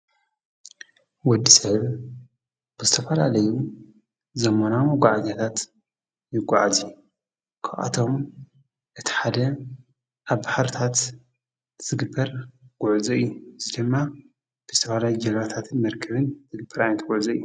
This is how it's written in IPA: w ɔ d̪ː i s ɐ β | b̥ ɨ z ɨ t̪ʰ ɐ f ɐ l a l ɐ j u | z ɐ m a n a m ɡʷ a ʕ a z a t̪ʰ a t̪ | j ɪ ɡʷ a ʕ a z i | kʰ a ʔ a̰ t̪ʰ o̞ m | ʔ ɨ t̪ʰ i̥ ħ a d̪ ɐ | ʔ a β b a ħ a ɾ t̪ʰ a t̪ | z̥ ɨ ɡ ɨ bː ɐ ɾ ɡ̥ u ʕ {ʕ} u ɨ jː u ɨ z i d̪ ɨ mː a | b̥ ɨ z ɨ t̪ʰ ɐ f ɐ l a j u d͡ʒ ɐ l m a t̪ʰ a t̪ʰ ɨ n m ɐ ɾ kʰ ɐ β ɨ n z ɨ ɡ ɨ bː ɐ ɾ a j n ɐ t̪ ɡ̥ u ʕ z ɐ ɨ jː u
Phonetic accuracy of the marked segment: incorrect: z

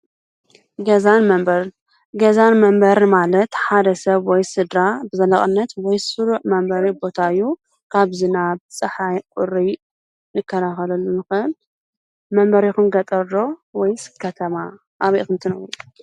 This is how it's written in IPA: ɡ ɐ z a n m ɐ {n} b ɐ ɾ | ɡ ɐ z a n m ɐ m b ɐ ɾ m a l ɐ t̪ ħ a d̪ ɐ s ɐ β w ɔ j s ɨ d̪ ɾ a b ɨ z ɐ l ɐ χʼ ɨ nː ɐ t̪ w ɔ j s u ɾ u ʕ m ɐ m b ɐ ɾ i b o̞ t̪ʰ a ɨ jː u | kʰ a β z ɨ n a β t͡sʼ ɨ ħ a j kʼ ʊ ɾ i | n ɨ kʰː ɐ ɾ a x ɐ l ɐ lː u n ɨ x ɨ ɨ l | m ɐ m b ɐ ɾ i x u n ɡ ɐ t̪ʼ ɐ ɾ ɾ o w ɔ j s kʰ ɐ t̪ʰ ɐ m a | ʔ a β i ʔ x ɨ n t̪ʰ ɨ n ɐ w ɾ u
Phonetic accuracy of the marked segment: incorrect: m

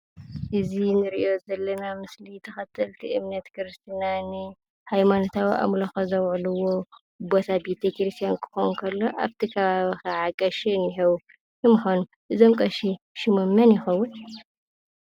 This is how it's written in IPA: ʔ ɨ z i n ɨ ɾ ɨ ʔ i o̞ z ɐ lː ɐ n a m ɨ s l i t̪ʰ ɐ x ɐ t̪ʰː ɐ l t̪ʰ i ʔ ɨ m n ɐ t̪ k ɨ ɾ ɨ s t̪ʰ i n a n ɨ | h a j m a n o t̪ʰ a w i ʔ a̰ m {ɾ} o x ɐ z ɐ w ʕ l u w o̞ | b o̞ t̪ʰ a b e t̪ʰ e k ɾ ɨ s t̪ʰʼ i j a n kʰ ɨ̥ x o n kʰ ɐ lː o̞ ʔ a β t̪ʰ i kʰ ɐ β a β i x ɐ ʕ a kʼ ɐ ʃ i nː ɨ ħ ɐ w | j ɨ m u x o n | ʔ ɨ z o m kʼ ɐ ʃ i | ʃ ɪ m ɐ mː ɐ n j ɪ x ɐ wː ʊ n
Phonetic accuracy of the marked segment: incorrect: l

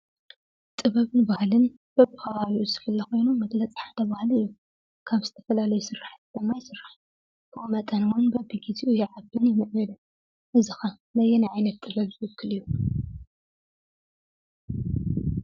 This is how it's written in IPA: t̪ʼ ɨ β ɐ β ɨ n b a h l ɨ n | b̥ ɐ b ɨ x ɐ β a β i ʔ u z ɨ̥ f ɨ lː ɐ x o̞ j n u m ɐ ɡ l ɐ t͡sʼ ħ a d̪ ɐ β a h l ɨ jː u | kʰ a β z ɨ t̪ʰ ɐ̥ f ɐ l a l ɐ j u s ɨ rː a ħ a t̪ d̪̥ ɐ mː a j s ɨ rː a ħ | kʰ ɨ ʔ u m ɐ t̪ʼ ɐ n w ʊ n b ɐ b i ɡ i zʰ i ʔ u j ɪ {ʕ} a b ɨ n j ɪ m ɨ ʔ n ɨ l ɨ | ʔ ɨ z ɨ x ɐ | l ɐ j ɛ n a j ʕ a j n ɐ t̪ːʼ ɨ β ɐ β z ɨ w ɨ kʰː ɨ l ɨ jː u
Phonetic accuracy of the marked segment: correct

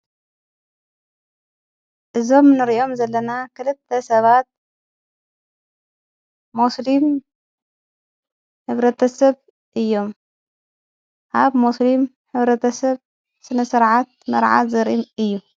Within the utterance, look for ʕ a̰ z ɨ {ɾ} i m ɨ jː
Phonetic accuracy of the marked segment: correct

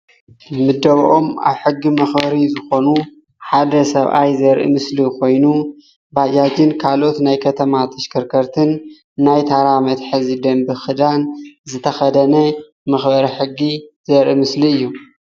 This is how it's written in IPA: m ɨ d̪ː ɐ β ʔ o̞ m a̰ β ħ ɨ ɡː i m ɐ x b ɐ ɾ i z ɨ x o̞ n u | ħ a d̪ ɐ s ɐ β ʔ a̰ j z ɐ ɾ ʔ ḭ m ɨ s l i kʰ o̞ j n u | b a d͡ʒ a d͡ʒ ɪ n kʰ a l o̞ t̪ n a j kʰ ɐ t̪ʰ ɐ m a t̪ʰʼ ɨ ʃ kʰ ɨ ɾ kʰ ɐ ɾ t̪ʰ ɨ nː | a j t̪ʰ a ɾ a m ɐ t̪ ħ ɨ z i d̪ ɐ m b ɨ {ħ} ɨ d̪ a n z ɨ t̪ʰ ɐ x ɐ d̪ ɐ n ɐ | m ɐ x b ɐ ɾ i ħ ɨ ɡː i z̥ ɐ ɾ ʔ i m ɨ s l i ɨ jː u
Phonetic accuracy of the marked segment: incorrect: x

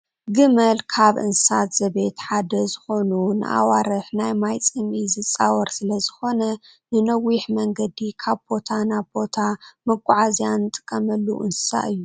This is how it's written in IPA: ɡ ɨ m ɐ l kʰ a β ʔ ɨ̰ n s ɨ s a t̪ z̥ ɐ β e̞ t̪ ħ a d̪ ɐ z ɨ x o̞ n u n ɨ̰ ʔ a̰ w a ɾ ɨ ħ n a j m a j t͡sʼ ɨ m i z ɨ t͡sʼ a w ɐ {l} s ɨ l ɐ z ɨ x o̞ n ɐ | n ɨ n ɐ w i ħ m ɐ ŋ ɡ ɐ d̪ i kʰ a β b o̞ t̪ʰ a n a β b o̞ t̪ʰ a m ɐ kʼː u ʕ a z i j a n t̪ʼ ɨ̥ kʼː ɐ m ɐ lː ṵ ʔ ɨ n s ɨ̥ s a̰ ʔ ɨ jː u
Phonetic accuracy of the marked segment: incorrect: ɾ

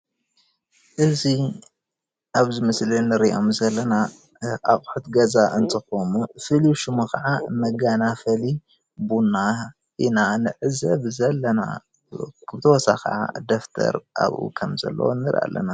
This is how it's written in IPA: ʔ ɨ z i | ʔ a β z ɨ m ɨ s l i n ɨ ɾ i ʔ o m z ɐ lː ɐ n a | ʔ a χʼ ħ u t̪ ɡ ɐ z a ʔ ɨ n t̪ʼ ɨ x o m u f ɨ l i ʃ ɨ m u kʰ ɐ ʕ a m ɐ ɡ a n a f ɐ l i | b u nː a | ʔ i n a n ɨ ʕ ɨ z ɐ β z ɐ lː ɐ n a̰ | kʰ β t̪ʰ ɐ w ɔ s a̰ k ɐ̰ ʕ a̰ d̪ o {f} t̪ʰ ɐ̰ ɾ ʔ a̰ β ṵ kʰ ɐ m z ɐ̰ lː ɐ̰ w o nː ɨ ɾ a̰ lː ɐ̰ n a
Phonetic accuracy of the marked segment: correct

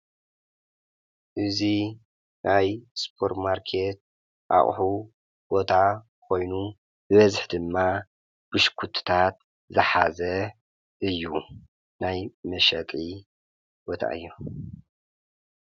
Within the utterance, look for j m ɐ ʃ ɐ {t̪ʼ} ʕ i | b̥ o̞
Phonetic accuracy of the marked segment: correct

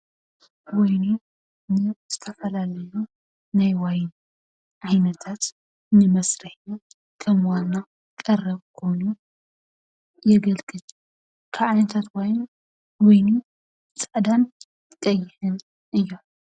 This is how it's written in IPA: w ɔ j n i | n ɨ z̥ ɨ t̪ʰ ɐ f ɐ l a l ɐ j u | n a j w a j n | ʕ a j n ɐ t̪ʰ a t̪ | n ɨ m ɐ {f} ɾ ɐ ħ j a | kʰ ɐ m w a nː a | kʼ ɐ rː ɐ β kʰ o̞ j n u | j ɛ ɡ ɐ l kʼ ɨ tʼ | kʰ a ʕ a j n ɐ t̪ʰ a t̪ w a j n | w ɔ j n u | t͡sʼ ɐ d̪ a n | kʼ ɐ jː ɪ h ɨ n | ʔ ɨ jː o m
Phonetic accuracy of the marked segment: incorrect: s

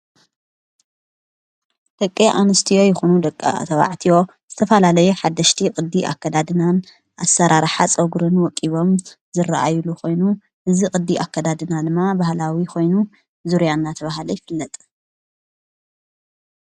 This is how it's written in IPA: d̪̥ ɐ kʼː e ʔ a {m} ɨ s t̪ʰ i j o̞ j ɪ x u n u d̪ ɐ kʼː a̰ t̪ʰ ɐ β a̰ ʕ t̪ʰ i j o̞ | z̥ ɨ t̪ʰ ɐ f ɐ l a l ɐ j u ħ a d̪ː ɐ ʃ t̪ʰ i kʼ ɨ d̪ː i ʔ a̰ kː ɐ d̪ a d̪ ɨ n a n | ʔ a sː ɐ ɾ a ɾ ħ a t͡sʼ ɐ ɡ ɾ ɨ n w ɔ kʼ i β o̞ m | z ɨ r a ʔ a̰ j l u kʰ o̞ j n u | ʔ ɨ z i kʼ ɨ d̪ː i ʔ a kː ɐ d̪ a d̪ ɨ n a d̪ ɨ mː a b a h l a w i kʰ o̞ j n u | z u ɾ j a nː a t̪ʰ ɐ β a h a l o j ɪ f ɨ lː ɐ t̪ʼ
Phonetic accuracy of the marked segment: incorrect: n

